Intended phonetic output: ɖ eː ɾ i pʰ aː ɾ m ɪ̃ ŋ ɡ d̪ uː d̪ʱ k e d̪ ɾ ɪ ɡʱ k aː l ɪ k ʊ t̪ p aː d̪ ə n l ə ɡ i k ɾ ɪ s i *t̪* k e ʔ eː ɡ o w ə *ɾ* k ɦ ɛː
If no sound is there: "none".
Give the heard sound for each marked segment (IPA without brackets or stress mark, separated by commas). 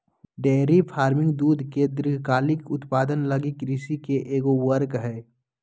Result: none, ɾ